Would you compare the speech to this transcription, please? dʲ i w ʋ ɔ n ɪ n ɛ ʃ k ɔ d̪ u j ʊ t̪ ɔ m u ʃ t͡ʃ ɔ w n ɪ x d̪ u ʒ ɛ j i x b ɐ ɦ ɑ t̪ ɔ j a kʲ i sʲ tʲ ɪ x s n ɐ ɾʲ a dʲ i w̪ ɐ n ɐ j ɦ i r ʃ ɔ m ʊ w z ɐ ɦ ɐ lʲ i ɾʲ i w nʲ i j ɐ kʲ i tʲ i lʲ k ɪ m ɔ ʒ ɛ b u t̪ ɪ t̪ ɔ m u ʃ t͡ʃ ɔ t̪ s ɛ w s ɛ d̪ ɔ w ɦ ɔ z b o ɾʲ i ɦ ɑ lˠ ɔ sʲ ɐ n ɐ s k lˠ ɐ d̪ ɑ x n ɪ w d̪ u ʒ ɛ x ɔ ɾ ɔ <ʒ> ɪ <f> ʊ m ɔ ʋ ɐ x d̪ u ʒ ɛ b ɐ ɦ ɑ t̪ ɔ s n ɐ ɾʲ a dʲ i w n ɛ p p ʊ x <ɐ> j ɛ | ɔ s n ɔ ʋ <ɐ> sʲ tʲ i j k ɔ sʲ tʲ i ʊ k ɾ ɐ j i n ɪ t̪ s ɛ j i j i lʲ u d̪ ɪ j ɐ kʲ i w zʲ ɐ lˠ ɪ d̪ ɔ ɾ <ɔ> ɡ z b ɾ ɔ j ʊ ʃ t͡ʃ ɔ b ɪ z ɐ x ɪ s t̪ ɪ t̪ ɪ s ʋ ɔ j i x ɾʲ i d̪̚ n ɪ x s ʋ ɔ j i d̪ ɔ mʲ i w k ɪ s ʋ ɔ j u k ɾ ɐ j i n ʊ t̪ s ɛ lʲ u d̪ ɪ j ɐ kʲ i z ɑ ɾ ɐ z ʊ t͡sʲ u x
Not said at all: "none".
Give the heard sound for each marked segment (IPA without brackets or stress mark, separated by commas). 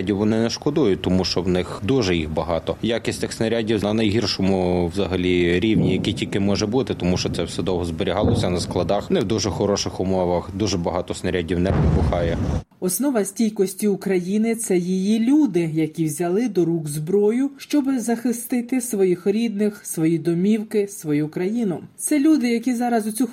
ʃ, x, ɑ, ɐ, u